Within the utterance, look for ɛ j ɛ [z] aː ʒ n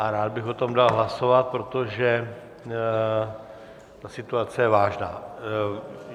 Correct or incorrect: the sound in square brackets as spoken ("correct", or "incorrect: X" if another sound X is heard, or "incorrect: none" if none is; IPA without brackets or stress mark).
incorrect: v